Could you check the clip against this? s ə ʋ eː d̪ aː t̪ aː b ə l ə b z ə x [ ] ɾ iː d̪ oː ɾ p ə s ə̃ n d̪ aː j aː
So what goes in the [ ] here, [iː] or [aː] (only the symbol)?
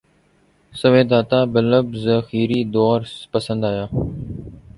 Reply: iː